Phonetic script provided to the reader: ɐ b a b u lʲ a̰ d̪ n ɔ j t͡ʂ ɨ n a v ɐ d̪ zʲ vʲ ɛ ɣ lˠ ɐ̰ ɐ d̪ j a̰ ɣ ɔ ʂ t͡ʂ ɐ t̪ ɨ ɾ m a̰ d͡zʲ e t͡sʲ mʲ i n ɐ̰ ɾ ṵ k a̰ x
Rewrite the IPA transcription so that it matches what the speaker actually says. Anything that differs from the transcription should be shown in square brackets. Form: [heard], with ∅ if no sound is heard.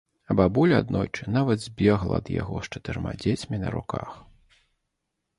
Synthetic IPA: ɐ b a b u lʲ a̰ d̪ n ɔ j t͡ʂ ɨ n a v ɐ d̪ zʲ [bʲ] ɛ ɣ lˠ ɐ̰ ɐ d̪ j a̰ ɣ ɔ ʂ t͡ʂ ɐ t̪ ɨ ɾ m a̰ d͡zʲ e t͡sʲ mʲ i n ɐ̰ ɾ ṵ k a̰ x